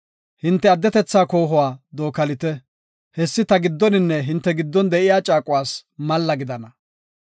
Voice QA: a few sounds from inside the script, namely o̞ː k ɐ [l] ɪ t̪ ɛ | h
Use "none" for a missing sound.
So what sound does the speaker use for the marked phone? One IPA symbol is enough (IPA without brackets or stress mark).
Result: l